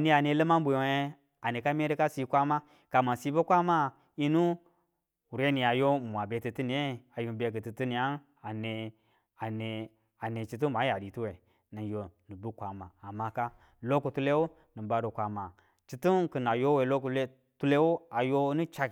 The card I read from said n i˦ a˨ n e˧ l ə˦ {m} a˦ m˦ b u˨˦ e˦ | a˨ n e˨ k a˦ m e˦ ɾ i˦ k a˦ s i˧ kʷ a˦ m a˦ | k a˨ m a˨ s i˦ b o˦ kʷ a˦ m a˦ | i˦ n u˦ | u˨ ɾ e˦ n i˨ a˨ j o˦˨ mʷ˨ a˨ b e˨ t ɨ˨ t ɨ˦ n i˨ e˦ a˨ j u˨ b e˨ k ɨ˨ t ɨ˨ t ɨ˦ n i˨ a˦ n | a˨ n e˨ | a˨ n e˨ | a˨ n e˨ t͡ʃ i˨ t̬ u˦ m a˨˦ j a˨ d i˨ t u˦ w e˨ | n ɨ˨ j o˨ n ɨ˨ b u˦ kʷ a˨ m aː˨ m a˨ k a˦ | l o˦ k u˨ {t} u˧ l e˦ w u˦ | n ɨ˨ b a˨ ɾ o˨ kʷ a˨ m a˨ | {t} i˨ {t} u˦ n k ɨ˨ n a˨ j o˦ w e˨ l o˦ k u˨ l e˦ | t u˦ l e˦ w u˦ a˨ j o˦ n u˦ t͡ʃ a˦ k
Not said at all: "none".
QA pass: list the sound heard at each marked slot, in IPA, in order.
m, t, t͡ʃ, t

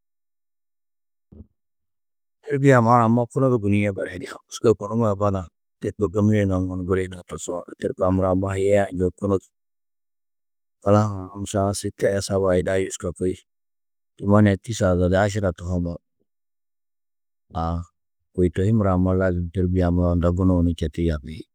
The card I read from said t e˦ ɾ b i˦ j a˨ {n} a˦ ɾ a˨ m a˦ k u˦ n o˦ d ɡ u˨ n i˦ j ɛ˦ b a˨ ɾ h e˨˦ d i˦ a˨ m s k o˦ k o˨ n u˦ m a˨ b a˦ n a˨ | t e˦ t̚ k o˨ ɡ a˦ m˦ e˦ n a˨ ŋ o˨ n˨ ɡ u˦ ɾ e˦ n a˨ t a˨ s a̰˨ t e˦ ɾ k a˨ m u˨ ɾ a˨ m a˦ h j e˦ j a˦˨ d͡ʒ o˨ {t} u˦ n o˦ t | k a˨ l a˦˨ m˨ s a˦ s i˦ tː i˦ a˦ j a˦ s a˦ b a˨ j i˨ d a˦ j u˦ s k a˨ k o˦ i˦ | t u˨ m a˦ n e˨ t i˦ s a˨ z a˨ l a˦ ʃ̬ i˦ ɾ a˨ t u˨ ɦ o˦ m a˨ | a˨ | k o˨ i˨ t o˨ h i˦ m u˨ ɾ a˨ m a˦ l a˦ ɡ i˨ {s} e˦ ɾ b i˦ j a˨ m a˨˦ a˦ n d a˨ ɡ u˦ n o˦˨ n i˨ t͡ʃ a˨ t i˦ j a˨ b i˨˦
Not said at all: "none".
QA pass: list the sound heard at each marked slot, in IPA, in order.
m, k, t

